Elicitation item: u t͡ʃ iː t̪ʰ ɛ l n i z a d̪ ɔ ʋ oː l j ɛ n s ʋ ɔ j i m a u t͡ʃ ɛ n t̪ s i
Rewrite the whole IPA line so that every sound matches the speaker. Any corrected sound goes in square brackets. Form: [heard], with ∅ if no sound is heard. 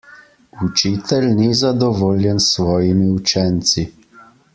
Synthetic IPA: u t͡ʃ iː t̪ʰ ɛ l n i z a d̪ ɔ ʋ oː l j ɛ n s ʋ [ɔː] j i m [i] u t͡ʃ ɛ n t̪ s i